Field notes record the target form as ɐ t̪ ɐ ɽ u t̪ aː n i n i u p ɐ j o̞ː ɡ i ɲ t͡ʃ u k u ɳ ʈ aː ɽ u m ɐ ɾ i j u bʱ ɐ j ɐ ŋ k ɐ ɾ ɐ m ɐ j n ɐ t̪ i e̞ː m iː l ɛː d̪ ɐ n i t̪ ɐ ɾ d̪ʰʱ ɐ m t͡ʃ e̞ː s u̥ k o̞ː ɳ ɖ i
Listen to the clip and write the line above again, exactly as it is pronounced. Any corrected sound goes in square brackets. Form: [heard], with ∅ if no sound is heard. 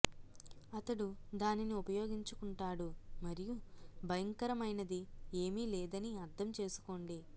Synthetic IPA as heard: ɐ t̪ ɐ ɽ u [d̪] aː n i n i u p ɐ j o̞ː ɡ i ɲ t͡ʃ u k u ɳ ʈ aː ɽ u m ɐ ɾ i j u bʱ ɐ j ɐ ŋ k ɐ ɾ ɐ m ɐ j n ɐ [d̪] i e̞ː m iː l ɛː d̪ ɐ n i [∅] ɐ ɾ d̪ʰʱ ɐ m t͡ʃ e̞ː s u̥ k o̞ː ɳ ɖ i